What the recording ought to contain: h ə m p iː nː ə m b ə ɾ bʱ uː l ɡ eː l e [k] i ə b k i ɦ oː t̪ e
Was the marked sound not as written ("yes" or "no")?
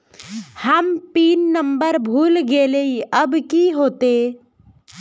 yes